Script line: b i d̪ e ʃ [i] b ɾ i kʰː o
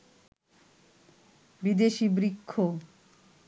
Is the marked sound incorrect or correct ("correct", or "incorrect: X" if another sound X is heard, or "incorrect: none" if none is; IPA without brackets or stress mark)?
correct